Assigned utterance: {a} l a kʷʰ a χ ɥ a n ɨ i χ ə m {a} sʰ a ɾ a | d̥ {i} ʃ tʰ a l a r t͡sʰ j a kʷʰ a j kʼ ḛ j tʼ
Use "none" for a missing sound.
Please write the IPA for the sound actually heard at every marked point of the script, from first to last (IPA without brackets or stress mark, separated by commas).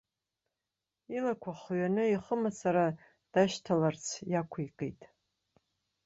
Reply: i, a, a